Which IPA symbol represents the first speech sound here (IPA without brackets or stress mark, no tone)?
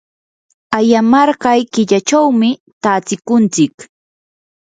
a